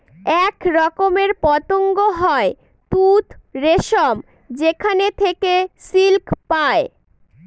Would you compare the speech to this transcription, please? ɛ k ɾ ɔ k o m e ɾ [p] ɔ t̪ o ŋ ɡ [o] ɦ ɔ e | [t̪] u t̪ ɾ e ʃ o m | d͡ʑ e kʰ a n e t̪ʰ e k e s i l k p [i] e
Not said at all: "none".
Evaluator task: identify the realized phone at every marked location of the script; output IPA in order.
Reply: p, o, t̪, a

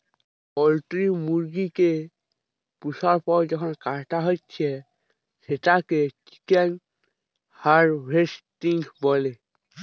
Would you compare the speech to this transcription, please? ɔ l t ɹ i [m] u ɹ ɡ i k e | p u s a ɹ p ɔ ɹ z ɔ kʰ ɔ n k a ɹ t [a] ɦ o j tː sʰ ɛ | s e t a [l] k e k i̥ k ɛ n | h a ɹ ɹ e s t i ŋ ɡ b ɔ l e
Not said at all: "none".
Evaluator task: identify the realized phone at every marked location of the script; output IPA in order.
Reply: m, a, none

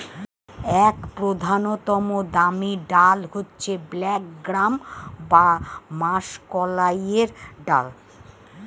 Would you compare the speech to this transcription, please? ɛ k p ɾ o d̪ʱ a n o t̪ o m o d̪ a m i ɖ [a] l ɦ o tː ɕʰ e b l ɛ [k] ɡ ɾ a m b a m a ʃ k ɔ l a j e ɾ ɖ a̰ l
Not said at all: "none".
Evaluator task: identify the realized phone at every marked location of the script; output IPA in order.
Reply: a, k

